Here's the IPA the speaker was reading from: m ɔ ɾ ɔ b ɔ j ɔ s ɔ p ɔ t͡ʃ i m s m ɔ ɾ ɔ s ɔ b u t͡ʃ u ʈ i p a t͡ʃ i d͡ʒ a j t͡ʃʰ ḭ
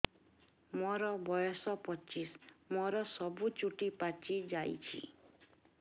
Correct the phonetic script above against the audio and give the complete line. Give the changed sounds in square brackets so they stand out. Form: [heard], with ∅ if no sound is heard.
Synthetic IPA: m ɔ ɾ ɔ b ɔ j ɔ s ɔ p ɔ t͡ʃ i [∅] s m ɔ ɾ ɔ s ɔ b u t͡ʃ u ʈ i p a t͡ʃ i d͡ʒ a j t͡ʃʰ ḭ